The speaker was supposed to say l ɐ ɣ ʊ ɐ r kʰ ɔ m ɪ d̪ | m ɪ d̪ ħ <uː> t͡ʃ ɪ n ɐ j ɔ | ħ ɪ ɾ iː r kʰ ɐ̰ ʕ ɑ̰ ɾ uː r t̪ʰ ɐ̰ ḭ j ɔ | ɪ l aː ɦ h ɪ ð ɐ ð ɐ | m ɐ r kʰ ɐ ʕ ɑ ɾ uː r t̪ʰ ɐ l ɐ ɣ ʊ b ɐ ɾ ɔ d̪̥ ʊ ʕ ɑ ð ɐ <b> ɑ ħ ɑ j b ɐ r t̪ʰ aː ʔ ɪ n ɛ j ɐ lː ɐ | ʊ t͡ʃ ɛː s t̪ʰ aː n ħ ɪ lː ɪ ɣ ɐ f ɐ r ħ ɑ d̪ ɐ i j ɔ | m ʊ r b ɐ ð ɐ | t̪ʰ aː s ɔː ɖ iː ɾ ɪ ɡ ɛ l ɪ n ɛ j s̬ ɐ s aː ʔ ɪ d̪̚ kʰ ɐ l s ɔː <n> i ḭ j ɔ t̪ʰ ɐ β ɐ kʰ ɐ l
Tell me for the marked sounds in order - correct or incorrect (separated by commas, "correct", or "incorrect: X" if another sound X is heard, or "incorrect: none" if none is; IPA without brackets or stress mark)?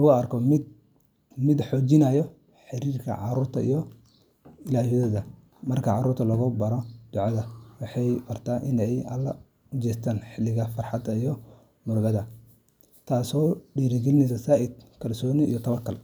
incorrect: ɔː, incorrect: w, correct